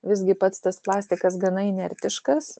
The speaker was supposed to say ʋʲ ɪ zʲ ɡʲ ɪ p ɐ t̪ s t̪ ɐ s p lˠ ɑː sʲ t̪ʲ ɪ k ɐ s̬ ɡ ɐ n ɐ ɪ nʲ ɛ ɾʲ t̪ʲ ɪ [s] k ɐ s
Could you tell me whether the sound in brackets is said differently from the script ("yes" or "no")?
yes